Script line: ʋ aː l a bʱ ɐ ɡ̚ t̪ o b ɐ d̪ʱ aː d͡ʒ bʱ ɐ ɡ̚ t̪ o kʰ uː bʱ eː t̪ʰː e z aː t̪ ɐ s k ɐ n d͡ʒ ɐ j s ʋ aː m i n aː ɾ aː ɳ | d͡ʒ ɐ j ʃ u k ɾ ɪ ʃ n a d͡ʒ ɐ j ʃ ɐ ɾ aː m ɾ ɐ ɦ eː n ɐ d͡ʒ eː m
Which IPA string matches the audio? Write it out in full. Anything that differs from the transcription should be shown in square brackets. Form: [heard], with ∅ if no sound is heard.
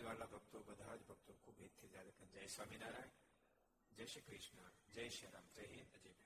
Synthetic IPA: ʋ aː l a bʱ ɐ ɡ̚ t̪ o b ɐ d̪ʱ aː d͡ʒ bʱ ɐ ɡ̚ t̪ o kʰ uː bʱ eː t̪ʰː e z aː [d̪] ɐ [∅] k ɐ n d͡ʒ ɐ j s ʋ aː m i n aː ɾ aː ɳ | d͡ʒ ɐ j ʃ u k ɾ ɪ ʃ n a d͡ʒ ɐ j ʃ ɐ ɾ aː m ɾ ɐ ɦ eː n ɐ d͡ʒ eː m